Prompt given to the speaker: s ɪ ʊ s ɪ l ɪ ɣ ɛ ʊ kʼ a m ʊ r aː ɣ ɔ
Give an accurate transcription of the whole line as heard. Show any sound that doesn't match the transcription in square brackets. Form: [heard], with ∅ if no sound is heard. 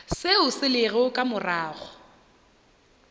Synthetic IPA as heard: s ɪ ʊ s ɪ l ɪ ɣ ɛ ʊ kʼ a m ʊ r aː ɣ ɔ